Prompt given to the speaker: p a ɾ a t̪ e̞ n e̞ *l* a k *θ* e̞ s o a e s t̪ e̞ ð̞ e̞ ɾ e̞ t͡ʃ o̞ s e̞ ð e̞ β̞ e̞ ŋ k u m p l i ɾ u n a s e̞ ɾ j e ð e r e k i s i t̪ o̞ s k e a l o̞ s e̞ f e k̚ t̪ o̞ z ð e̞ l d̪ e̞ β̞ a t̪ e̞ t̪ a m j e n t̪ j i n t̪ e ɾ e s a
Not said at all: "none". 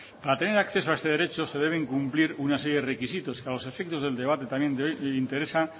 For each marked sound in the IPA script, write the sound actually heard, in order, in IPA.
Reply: ɾ, θ

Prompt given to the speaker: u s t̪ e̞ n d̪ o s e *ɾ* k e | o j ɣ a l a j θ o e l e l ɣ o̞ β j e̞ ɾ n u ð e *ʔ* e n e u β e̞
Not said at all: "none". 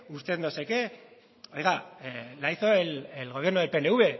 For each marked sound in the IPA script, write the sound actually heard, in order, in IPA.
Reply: none, p

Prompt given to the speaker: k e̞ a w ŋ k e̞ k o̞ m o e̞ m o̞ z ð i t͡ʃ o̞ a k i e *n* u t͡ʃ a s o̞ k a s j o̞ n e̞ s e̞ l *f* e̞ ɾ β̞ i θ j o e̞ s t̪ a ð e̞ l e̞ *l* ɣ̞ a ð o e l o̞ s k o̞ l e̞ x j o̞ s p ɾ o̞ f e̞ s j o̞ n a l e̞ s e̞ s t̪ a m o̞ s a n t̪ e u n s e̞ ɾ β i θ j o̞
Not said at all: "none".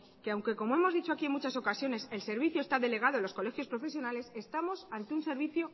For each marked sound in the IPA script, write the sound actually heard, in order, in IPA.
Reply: m, s, none

